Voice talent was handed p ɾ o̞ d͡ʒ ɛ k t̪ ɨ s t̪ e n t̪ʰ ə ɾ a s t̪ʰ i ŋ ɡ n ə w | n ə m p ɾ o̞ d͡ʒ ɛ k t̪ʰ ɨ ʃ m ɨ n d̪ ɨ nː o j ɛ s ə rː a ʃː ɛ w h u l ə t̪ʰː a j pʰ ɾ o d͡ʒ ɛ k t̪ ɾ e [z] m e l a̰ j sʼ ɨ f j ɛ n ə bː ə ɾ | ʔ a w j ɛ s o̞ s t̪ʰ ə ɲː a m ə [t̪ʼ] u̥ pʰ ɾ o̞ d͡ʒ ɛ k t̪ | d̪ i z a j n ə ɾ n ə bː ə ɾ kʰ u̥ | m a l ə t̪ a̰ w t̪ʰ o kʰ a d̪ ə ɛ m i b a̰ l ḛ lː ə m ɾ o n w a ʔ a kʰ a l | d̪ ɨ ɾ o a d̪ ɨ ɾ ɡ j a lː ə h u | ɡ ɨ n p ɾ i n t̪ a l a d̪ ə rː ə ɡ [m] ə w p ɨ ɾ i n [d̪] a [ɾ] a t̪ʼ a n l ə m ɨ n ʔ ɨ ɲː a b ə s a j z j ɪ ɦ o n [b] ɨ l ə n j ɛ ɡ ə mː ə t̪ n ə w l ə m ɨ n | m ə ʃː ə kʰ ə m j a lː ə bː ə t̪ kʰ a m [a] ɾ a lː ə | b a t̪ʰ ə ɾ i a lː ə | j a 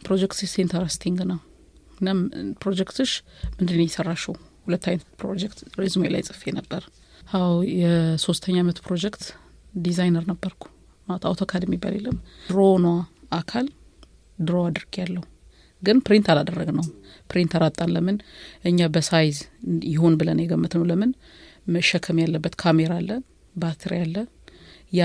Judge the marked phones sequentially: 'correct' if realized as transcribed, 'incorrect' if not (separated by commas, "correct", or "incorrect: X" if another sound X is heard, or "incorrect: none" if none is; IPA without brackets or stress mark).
correct, incorrect: t̪, incorrect: n, incorrect: t̪, correct, correct, incorrect: e